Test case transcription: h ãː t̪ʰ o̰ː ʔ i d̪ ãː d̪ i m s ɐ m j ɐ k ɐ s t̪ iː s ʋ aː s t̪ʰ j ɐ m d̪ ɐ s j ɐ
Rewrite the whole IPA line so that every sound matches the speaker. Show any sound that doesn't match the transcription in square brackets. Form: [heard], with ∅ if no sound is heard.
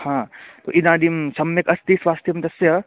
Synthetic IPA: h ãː [t̪] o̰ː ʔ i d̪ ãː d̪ i m s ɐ m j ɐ k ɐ s t̪ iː s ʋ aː s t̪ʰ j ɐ m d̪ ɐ s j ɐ